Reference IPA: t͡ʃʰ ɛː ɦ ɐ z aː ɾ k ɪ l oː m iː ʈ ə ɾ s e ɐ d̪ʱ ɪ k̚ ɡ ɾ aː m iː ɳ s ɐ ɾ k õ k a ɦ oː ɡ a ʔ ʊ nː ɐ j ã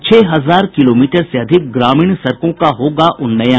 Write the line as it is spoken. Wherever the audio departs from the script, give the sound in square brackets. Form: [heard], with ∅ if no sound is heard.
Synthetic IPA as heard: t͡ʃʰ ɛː ɦ ɐ z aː ɾ k ɪ l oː m iː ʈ ə ɾ s e ɐ d̪ʱ ɪ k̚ ɡ ɾ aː m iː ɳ s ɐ ɾ k õ k a ɦ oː ɡ a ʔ ʊ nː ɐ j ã